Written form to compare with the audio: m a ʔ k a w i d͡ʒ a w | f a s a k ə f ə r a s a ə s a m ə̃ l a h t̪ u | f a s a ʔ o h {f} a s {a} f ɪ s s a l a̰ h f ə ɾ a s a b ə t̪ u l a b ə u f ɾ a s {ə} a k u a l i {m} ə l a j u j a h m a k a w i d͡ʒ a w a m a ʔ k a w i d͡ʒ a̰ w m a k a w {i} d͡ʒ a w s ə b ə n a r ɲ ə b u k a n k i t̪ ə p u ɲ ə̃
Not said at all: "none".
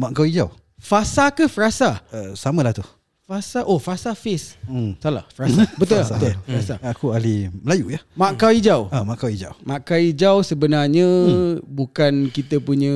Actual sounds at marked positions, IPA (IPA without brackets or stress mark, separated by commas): f, a, a, m, i